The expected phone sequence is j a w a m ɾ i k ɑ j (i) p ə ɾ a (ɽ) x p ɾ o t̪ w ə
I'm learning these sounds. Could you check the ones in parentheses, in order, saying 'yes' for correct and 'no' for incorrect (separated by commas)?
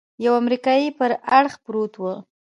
yes, yes